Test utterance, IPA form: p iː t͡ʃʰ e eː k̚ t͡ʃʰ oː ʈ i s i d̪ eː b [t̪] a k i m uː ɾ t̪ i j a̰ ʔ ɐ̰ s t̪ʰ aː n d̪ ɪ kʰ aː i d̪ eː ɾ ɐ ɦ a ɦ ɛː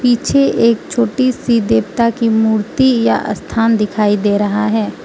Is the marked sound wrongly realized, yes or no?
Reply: no